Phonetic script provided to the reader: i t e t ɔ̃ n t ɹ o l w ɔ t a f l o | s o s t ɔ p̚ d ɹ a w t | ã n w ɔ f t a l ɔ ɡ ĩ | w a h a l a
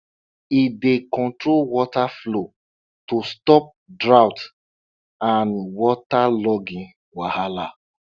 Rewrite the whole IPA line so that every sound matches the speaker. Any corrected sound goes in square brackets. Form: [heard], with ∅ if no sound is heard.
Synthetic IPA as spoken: i [d] e [k] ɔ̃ n t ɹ o l w ɔ t a f l o | [t] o s t ɔ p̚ d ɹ a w t | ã n w ɔ [∅] t a l ɔ ɡ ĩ | w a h a l a